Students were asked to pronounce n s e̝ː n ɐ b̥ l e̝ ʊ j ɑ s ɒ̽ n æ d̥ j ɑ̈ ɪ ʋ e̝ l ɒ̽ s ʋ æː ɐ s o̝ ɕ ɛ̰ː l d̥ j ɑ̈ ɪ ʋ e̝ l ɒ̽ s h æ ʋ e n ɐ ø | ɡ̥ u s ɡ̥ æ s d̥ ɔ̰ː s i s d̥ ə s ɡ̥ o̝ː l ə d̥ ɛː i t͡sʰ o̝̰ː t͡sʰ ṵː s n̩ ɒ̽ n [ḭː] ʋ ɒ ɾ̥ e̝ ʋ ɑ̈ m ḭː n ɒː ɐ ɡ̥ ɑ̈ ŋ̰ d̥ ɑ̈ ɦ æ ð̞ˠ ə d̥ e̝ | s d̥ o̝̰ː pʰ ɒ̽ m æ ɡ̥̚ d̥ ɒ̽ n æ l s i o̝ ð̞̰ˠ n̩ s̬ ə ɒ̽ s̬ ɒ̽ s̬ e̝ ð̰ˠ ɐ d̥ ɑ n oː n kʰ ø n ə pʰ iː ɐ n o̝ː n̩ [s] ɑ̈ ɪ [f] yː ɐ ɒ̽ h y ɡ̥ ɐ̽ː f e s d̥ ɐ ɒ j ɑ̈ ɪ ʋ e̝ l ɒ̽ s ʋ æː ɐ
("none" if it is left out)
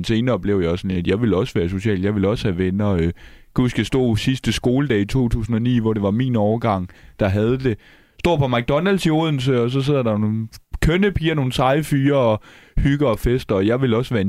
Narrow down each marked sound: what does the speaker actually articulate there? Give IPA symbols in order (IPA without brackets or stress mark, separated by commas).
ḭː, s, f